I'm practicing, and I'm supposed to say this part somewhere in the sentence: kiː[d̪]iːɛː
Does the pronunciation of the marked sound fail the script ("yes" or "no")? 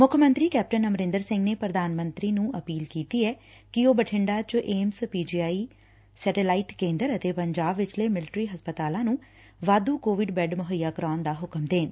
yes